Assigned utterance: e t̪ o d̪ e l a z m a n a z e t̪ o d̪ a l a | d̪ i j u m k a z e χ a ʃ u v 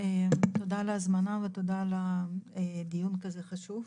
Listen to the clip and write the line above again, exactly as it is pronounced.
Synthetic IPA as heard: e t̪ o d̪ a l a z m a n a v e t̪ o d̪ a l a | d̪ i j u n k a z e χ a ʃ u v